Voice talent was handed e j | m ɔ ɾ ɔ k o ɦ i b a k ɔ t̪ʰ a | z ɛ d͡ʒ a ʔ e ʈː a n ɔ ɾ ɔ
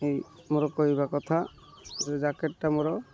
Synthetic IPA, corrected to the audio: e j | m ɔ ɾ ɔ k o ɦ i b a k ɔ t̪ʰ a | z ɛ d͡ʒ a k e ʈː a m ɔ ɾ ɔ